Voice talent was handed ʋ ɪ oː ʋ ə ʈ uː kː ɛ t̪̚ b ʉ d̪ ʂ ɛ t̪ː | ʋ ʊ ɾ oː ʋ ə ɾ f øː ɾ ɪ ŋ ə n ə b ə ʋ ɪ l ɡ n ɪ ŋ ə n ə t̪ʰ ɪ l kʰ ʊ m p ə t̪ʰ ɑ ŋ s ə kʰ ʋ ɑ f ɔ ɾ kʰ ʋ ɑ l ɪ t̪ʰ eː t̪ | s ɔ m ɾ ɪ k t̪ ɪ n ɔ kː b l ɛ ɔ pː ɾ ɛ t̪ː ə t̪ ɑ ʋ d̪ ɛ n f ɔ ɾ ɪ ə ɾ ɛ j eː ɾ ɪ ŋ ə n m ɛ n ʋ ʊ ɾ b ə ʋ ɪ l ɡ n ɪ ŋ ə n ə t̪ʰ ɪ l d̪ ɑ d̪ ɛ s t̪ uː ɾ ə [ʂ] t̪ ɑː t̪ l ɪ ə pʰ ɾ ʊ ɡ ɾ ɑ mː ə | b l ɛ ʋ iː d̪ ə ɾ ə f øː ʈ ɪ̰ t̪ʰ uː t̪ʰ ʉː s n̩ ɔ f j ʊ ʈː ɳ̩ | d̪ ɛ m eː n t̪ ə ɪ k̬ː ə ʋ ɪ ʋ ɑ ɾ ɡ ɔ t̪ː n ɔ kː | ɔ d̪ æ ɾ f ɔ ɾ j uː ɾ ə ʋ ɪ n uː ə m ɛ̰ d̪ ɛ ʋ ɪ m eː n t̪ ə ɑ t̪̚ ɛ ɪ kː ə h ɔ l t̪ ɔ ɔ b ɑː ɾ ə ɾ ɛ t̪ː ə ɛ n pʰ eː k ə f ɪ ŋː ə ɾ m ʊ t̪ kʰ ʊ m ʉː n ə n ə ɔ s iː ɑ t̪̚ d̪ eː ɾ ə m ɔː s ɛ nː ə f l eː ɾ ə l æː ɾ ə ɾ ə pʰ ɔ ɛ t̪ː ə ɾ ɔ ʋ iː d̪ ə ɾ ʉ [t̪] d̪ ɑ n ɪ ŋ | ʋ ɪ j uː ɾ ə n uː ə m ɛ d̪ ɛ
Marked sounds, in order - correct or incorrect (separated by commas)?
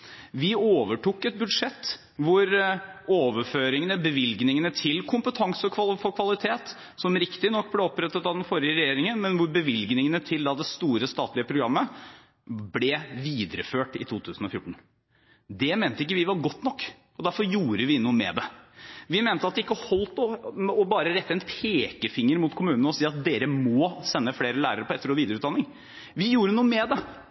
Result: incorrect, correct